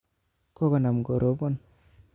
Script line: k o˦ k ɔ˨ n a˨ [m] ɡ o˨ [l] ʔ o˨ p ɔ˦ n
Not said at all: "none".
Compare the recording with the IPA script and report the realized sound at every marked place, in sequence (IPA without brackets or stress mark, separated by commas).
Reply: m, ɾ